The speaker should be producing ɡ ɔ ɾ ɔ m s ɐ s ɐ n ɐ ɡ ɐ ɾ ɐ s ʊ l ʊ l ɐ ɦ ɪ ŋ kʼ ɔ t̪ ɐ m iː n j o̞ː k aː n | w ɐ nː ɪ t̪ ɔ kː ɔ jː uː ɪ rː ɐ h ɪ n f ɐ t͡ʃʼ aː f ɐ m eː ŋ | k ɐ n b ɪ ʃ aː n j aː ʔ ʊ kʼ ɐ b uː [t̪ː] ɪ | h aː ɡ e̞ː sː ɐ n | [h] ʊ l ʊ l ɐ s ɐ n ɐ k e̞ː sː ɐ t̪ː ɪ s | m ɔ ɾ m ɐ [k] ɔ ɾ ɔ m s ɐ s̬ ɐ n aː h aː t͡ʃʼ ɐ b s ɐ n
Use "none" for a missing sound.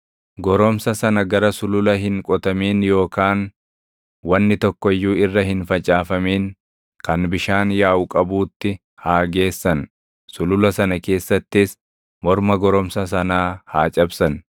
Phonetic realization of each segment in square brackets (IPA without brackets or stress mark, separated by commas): t̪ː, s, ɡ